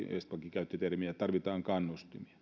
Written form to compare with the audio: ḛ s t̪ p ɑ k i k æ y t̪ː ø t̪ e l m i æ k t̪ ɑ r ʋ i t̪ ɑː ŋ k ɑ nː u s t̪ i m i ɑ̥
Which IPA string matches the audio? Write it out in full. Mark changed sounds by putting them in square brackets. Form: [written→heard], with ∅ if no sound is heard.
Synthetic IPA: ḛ s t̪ p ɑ k i k æ y t̪ː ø t̪ e [l→r] m i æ [k→∅] t̪ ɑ r ʋ i t̪ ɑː ŋ k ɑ nː u s t̪ i m i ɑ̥